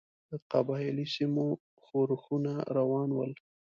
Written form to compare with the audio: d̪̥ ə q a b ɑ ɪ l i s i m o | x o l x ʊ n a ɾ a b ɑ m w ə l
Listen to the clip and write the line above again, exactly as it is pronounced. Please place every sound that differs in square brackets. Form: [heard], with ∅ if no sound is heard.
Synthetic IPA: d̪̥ ə q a b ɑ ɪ l i s i m o | x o [ɾ] x [u] n a ɾ a [w] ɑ [n] w ə l